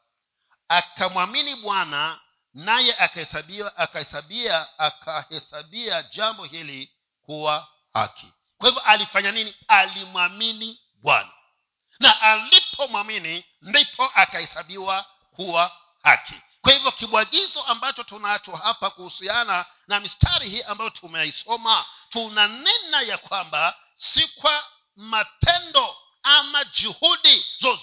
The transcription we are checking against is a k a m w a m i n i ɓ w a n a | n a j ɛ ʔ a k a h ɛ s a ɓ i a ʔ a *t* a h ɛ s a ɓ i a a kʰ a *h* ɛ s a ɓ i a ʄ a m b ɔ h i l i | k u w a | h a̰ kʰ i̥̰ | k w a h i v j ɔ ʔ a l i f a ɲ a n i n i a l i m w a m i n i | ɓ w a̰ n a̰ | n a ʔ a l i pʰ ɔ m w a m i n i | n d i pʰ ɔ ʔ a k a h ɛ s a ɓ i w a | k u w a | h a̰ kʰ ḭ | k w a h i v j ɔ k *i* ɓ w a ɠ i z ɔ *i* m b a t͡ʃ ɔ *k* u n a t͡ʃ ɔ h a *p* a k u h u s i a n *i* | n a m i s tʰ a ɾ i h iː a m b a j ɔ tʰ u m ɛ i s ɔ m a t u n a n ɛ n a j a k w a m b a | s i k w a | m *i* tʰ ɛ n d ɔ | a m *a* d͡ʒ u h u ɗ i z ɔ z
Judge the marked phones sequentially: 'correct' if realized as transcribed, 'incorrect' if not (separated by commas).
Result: incorrect, correct, correct, incorrect, incorrect, correct, incorrect, incorrect, correct